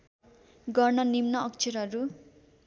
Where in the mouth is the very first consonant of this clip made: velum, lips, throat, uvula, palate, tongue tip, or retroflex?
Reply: velum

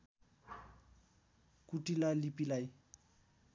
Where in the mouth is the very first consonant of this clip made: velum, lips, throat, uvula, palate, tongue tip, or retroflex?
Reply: velum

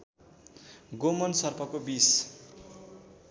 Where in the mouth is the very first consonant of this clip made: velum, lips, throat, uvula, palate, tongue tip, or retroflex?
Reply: velum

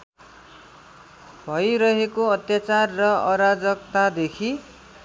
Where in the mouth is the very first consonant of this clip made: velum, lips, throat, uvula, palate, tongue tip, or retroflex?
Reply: lips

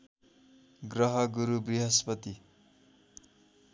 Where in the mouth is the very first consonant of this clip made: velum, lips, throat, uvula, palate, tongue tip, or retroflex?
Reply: velum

